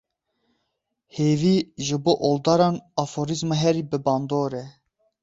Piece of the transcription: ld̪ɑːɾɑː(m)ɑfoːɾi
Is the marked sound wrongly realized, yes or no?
yes